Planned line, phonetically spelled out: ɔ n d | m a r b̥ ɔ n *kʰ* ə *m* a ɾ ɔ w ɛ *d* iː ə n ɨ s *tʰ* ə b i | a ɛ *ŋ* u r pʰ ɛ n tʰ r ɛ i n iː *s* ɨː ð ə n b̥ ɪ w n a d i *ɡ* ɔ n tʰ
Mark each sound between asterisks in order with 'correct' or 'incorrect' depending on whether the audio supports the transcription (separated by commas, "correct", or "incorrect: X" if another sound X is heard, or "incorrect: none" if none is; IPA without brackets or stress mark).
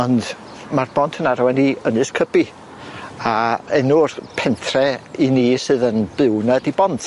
incorrect: tʰ, incorrect: n, incorrect: n, incorrect: kʰ, incorrect: n, correct, incorrect: b